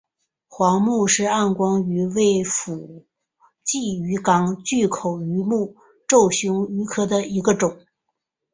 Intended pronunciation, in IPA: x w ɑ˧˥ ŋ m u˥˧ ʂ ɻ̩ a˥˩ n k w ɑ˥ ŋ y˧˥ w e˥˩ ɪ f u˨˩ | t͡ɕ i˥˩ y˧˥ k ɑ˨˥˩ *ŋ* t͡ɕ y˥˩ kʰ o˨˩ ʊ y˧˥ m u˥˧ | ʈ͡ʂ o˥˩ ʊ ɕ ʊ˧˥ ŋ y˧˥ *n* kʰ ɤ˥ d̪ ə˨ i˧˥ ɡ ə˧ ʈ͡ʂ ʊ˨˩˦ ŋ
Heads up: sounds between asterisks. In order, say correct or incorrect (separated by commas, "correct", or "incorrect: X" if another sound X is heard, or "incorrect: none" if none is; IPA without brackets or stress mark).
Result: correct, incorrect: none